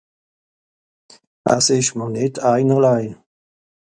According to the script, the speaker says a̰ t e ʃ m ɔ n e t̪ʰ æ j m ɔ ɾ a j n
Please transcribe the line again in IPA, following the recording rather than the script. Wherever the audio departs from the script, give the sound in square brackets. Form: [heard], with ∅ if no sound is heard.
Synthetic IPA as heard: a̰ [s] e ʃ m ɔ n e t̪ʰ [a] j [n] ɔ [l] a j n